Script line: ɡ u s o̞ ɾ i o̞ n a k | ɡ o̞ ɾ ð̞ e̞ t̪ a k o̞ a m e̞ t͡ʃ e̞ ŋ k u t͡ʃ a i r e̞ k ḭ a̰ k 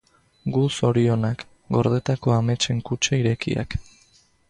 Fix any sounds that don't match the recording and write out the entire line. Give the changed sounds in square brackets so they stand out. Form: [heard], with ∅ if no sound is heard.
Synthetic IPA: ɡ u s o̞ ɾ i o̞ n a k | ɡ o̞ ɾ ð̞ e̞ t̪ a k o̞ a m e̞ t͡ʃ e̞ ŋ k u t͡ʃ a i [ɾ] e̞ k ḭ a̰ k